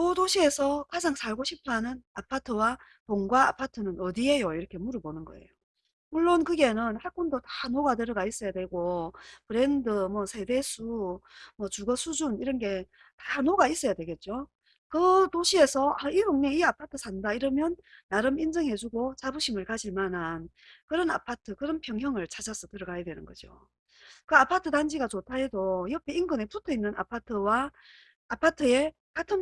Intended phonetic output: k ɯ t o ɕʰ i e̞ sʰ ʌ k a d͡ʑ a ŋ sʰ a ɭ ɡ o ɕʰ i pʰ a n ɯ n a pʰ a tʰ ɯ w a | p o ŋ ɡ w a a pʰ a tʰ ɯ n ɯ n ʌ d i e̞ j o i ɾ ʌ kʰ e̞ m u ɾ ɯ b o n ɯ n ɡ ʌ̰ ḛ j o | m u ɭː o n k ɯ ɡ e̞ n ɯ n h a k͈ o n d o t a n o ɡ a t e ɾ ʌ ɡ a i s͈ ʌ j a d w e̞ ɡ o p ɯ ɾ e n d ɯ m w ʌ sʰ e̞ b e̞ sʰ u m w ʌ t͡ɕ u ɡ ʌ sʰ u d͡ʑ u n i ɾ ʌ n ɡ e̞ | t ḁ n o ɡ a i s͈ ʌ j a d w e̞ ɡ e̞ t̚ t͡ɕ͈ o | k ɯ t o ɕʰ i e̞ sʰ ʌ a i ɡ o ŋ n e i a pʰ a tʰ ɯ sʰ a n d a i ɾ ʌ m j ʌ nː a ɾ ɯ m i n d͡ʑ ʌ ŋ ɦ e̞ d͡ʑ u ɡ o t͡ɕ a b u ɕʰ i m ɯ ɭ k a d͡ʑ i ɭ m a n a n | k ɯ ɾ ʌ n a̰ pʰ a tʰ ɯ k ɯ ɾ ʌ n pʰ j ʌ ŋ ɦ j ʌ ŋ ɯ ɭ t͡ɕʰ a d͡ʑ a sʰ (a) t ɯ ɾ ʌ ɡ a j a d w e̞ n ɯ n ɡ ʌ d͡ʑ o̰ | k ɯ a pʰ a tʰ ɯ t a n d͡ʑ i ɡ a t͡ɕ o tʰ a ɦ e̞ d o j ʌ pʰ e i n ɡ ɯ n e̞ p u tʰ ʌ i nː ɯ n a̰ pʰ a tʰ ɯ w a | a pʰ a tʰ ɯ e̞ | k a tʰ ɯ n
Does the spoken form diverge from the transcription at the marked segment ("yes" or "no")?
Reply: yes